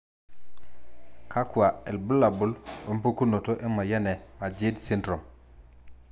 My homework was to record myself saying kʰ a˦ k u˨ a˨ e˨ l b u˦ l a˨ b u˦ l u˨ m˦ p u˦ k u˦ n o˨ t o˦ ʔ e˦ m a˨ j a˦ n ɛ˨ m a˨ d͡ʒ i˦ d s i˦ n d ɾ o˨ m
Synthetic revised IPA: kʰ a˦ k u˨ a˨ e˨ l b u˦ l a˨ b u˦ l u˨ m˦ p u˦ k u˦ n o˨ t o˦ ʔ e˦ m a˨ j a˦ n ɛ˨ m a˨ d͡ʒ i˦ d s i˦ n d ɾ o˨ m